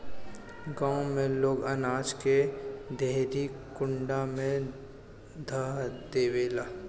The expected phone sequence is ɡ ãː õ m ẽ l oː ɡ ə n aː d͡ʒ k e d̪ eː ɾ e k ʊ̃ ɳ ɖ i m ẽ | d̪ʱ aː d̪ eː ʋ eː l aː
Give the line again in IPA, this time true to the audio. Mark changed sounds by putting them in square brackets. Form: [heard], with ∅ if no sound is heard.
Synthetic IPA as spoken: ɡ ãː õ m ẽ l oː ɡ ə n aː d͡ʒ k e d̪ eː ɾ [i] k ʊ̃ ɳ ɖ [a] m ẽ | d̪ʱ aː d̪ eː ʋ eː l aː